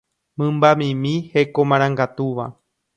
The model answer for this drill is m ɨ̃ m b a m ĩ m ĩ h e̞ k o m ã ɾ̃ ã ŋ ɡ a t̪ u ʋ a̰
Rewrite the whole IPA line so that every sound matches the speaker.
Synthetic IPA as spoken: m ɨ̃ m b a m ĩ m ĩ h e̞ k o m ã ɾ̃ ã ŋ ɡ a t̪ u ʋ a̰